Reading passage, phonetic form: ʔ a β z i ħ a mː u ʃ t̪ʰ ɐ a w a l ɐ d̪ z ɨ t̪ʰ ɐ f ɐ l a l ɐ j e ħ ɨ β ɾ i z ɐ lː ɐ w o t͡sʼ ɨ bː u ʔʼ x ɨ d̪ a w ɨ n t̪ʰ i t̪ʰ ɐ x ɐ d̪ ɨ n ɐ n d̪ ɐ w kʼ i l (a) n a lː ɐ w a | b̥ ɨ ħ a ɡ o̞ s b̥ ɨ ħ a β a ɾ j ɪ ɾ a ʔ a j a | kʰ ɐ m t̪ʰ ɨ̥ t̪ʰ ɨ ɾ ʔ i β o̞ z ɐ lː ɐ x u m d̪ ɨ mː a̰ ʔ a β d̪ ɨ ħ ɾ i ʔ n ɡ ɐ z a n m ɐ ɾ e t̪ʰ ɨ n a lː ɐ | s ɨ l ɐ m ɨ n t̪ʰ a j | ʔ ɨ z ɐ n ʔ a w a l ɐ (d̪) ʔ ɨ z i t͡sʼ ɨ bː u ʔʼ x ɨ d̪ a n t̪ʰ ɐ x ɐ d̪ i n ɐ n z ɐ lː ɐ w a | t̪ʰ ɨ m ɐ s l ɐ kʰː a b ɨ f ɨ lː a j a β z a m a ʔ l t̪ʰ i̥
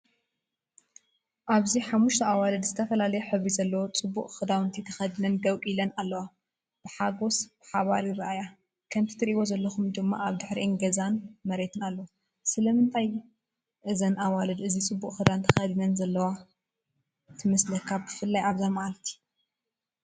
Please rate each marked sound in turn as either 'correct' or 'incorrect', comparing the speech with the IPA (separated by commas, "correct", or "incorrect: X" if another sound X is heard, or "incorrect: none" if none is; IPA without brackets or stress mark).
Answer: incorrect: ɐ, correct